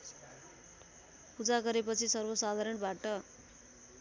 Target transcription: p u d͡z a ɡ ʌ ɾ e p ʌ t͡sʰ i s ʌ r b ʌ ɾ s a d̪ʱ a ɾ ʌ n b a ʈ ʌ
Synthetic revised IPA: p u d͡z a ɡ ʌ ɾ e p ʌ t͡sʰ i s ʌ r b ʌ s a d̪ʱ a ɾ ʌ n b a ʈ ʌ